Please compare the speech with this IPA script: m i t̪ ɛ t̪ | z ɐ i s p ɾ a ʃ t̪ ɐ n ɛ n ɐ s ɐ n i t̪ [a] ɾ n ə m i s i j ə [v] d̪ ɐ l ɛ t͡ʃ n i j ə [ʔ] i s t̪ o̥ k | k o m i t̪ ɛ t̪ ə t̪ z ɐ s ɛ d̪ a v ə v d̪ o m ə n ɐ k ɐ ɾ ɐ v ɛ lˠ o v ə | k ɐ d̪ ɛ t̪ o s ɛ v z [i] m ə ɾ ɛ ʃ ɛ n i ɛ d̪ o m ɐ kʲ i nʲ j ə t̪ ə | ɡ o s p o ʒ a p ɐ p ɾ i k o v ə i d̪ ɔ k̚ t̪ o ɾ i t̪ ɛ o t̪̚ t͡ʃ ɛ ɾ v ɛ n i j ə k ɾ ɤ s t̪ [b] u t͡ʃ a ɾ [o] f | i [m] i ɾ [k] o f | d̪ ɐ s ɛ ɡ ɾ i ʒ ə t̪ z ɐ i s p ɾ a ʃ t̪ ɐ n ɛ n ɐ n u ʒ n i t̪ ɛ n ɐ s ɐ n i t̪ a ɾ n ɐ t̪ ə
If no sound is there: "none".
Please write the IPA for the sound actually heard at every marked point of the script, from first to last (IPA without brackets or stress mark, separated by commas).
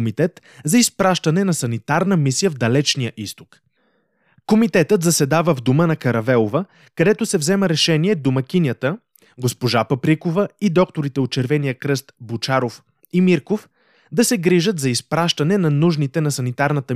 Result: a, v, ʔ, ɛ, b, o, m, k